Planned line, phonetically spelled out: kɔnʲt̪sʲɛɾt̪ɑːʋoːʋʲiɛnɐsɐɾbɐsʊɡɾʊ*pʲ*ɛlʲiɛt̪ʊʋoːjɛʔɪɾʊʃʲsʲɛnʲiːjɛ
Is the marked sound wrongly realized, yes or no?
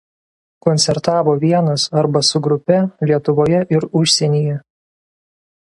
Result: no